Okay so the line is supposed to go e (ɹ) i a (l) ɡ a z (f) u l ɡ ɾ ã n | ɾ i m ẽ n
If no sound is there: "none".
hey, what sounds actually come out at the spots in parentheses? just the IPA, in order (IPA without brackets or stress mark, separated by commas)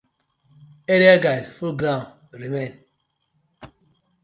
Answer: ɾ, none, f